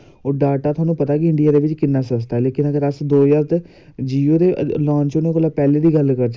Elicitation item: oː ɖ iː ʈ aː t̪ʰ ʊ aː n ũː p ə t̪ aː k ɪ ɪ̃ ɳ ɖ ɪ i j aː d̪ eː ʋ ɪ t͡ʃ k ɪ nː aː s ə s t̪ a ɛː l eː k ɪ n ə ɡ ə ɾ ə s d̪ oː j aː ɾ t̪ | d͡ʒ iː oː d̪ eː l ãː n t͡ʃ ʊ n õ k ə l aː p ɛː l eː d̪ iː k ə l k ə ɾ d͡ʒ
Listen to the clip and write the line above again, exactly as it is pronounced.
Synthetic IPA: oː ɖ aː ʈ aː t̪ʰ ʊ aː n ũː p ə t̪ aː k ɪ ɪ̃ ɳ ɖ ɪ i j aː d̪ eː ʋ ɪ t͡ʃ k ɪ nː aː s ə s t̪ a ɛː l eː k ɪ n ə ɡ ə ɾ ə s d̪ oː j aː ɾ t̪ | d͡ʒ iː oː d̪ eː l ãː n t͡ʃ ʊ n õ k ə l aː p ɛː l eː d̪ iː ɡ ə l k ə ɾ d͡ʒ